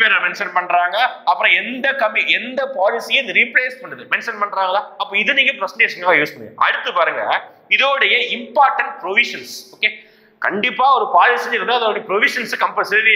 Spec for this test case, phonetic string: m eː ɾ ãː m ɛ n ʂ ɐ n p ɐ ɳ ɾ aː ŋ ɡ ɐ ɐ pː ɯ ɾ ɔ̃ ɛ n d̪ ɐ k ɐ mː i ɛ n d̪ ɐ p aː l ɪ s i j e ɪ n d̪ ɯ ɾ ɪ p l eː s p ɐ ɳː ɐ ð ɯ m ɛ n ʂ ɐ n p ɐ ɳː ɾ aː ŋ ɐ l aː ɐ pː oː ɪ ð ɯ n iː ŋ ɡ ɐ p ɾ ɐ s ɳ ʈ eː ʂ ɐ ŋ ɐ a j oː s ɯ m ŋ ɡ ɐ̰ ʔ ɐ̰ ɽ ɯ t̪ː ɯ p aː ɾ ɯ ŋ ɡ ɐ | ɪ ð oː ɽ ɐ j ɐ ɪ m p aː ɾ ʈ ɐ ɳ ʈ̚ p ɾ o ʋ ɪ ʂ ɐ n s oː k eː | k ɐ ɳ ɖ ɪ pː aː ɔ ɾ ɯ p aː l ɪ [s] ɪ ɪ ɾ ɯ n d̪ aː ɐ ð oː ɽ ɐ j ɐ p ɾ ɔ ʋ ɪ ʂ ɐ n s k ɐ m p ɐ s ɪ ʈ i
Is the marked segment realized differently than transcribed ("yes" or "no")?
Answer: no